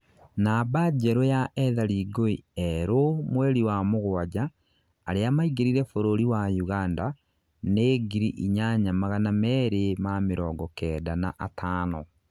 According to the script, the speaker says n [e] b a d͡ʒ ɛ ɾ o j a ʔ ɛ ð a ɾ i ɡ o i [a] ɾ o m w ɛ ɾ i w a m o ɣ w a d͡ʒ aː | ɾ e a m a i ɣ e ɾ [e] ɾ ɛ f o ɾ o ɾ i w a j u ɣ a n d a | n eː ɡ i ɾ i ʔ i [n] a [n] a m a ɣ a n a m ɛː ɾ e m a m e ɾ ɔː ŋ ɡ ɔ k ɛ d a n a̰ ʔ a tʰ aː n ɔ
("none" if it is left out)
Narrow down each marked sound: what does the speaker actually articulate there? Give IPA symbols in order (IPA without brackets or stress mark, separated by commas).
a, ɛ, i, ɲ, ɲ